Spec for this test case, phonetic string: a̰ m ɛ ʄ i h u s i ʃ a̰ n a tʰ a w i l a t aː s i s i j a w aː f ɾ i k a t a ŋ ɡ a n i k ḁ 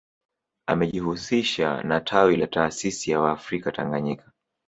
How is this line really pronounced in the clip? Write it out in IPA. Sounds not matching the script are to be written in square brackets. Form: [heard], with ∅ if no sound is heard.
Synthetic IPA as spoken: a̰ m ɛ ʄ i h u s i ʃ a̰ n a tʰ a w i l a t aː s i s i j a w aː f ɾ i k a t a ŋ ɡ a [ɲ] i k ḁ